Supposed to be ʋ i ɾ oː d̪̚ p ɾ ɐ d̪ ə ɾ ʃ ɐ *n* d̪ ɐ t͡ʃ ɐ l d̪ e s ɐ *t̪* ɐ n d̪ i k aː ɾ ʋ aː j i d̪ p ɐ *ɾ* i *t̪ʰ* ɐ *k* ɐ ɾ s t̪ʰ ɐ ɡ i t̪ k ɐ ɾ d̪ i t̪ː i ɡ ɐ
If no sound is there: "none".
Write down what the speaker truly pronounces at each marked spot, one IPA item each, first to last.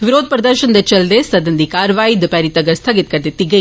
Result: n, d̪, ɾ, t̪, ɡ

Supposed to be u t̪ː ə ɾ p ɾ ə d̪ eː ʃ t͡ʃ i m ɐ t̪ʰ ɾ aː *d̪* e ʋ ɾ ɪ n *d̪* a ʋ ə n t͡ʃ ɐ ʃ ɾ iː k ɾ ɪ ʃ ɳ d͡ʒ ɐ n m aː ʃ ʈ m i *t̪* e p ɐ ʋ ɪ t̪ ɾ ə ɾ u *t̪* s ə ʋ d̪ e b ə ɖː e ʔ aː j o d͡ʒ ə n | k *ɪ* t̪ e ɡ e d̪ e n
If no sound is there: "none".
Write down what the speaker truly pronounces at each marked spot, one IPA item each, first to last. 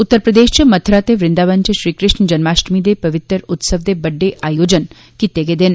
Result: t̪, d̪, d̪, t̪, i

